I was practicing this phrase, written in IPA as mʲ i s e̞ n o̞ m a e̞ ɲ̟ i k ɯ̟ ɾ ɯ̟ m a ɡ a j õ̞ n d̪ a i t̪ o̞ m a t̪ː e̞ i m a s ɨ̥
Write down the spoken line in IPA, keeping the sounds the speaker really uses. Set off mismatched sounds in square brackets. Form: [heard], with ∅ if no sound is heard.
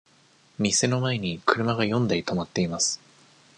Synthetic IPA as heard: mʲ i s e̞ n o̞ m a e̞ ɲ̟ i k ɯ̟ ɾ ɯ̟ m a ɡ a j õ̞ n d̪ a i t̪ o̞ m a t̪ː e̞ i m a s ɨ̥